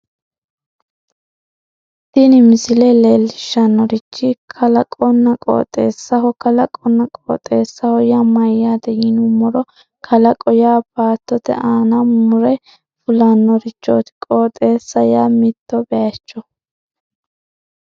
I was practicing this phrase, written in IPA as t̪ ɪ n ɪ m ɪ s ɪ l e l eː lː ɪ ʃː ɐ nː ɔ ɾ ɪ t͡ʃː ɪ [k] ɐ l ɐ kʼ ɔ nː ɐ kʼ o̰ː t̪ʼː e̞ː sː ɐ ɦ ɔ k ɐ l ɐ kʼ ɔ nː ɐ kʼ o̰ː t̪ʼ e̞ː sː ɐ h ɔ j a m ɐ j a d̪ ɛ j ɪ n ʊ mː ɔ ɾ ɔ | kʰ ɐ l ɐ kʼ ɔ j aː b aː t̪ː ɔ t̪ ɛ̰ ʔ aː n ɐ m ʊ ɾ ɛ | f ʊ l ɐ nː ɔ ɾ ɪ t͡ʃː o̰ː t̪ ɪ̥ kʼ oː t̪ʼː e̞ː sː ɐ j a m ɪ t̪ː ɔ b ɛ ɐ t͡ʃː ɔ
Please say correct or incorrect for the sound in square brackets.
incorrect